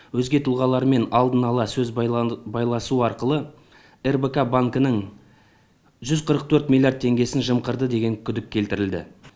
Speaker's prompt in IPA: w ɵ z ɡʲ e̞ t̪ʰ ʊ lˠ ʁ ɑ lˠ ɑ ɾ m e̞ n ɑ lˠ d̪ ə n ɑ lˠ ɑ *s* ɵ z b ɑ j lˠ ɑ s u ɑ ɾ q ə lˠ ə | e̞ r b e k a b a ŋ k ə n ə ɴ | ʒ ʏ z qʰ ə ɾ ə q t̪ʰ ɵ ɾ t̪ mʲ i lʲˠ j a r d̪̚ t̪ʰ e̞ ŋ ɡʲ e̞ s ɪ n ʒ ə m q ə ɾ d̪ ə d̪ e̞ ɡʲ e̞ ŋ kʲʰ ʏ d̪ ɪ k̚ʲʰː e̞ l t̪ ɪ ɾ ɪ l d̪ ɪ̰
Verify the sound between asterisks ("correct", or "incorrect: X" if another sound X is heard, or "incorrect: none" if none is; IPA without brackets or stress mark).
correct